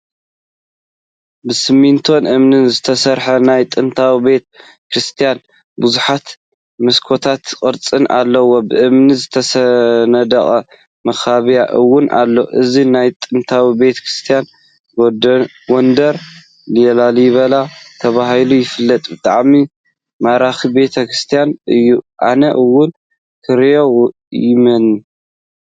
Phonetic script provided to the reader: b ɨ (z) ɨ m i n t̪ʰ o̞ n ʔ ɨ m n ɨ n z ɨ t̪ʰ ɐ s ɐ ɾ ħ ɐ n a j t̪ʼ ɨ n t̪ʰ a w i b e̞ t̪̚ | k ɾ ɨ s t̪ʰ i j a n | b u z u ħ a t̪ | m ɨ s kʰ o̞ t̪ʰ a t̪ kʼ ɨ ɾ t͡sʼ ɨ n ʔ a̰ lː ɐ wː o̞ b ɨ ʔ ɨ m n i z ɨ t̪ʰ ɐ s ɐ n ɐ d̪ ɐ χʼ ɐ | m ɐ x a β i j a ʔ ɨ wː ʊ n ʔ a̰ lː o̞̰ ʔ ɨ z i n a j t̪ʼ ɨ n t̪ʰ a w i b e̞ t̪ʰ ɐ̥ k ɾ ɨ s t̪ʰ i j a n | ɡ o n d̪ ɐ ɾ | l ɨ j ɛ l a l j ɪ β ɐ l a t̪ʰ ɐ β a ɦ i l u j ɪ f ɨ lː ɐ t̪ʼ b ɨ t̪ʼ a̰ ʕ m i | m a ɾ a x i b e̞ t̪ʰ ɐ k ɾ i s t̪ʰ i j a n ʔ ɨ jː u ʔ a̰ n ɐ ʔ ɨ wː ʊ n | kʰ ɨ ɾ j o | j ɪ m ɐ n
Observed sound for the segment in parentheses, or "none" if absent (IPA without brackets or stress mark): s